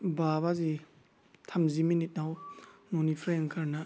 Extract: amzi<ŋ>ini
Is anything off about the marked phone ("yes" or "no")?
yes